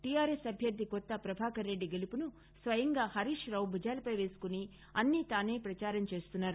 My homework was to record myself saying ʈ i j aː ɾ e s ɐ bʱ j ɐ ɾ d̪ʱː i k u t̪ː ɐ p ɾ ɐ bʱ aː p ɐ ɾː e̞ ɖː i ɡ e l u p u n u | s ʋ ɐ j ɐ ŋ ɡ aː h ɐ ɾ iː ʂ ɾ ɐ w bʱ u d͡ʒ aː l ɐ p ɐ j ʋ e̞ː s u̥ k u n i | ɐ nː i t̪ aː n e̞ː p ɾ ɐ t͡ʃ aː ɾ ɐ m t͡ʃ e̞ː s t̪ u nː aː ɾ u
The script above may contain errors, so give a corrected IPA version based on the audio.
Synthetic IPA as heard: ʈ i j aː ɾ e s ɐ bʱ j ɐ ɾ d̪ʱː i k ɔ t̪ː ɐ p ɾ ɐ bʱ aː k ɐ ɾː e̞ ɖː i ɡ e l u p u n u | s ʋ ɐ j ɐ ŋ ɡ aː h ɐ ɾ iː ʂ ɾ ɐ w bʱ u d͡ʒ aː l ɐ p ɐ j ʋ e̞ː s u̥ k u n i | ɐ nː i t̪ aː n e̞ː p ɾ ɐ t͡ʃ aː ɾ ɐ m t͡ʃ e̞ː s t̪ u nː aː ɾ u